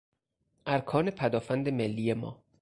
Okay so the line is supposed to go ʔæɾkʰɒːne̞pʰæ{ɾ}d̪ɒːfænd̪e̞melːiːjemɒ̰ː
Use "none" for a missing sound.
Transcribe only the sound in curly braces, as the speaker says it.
none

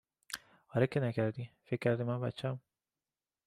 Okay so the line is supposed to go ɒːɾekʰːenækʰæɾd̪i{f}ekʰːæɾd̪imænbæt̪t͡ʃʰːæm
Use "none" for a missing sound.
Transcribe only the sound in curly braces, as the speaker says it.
f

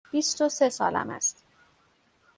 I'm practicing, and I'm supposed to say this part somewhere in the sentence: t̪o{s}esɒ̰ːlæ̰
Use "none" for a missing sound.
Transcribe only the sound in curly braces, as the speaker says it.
s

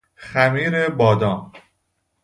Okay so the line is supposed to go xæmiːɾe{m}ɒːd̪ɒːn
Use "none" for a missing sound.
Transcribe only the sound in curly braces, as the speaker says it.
b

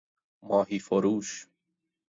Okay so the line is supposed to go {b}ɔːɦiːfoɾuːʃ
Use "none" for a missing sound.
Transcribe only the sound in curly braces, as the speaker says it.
m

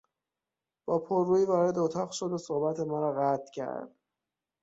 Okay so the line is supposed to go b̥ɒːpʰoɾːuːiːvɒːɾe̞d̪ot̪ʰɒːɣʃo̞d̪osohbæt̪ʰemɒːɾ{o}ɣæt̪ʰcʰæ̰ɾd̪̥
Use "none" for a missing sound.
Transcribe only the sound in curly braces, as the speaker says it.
ɒ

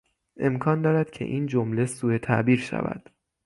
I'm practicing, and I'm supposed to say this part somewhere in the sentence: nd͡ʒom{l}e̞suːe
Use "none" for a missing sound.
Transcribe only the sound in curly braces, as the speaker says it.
l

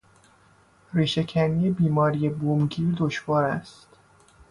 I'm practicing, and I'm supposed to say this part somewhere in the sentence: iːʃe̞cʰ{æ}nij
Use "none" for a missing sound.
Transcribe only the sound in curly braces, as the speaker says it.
æ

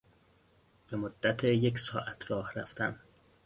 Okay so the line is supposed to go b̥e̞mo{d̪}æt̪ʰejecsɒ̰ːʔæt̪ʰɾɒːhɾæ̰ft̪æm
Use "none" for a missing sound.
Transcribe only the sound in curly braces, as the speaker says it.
d̪ː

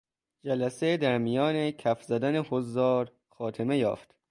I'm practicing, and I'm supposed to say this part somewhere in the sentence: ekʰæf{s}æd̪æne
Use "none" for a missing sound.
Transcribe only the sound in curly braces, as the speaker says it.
z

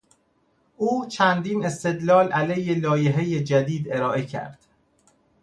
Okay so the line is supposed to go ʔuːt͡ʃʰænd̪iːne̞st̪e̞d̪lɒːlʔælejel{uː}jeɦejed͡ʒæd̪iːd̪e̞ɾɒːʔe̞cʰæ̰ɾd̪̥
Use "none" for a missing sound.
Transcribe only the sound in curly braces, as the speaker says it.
ɒː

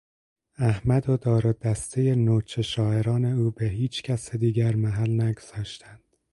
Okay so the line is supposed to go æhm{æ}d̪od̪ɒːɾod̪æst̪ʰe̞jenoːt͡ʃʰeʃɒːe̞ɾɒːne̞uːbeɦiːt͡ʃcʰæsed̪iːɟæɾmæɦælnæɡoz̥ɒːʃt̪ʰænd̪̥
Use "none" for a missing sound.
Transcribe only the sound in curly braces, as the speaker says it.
æ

